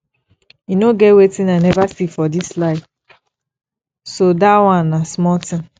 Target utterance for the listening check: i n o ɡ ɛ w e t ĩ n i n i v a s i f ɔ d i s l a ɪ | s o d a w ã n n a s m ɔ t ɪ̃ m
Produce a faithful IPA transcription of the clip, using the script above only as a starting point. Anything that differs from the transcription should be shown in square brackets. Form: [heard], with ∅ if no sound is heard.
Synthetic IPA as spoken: i n o ɡ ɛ w e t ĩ n [a] n [ɛ] v a s i f ɔ d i s l a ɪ | s o d a w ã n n a s m ɔ t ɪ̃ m